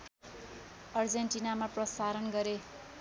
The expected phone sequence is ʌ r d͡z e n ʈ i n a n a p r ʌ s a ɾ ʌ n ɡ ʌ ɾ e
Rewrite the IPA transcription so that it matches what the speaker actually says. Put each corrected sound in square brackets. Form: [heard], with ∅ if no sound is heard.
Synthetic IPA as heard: ʌ r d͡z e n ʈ i n a [m] a p r ʌ s a ɾ ʌ n ɡ ʌ ɾ e